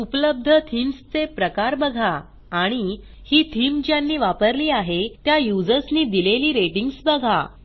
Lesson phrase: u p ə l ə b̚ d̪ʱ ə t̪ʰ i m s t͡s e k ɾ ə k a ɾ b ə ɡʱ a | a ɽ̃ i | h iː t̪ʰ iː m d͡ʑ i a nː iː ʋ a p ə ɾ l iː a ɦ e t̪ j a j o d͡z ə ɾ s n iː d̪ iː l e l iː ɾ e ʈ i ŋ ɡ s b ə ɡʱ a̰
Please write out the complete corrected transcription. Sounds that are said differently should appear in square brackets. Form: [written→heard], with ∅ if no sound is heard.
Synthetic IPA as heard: u p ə l ə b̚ d̪ʱ ə t̪ʰ i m s t͡s e [k→p] ɾ ə k a ɾ b ə ɡʱ a | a ɽ̃ i | h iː t̪ʰ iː m d͡ʑ [i→j] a nː iː ʋ a p ə ɾ l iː a ɦ e t̪ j a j [o→u] d͡z ə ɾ s n iː d̪ [iː→i] l e l iː ɾ e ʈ i ŋ ɡ s b ə ɡʱ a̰